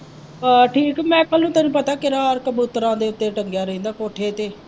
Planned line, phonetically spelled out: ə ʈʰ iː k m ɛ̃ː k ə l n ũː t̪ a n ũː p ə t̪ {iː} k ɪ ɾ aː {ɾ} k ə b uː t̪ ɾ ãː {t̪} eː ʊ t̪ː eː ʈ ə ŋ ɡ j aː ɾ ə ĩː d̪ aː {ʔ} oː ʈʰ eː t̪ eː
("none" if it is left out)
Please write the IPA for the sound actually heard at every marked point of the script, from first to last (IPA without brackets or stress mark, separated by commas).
aː, ɾ, d̪, k